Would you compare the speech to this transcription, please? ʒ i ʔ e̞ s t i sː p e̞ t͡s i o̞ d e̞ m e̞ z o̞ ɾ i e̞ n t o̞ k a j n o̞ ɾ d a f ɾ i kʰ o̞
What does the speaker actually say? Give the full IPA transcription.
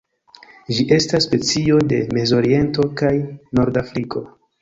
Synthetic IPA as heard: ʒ i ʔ e̞ s t a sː p e̞ t͡s i o̞ d e̞ m e̞ z o̞ ɾ i e̞ n t o̞ k a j n o̞ ɾ d a f ɾ i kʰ o̞